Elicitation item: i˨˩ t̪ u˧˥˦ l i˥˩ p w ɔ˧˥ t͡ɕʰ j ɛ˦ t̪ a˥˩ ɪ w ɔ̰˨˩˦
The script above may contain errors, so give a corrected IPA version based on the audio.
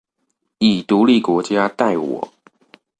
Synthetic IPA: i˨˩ t̪ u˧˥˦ l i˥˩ k w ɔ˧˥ t͡ɕ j a˦ t̪ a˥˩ ɪ w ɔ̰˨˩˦